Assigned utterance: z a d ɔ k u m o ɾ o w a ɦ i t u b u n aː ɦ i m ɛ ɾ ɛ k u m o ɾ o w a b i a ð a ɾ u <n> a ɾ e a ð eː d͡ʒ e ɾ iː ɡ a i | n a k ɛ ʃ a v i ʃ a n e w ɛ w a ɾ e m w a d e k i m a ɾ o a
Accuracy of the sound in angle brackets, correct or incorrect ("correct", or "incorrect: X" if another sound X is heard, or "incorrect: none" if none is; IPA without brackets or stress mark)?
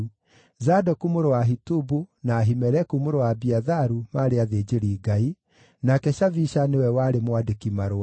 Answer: incorrect: m